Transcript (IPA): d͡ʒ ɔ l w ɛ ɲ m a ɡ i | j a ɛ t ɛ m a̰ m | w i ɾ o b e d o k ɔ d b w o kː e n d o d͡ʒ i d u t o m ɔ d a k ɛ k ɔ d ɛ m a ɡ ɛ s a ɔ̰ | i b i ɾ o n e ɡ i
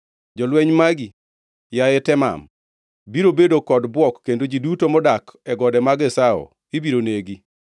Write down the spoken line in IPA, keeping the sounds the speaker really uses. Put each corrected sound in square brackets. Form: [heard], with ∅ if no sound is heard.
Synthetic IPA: d͡ʒ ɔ l w ɛ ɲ m a ɡ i | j a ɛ t ɛ m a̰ m | [b] i ɾ o b e d o k ɔ d b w [ɔ] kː e n d o d͡ʒ i d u t o m ɔ d a k ɛ [ɡ] ɔ d ɛ m a ɡ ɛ s a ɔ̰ | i b i ɾ o n e ɡ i